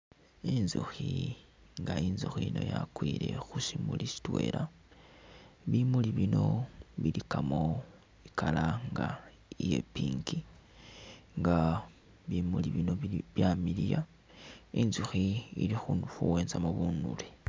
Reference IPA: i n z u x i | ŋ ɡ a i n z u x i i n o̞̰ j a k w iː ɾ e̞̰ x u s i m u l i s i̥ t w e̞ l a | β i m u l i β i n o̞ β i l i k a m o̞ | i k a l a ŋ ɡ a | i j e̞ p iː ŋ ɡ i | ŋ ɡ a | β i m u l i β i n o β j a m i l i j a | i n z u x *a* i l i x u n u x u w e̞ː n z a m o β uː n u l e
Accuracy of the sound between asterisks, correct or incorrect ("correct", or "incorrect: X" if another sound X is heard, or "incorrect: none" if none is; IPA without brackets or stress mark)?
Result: incorrect: i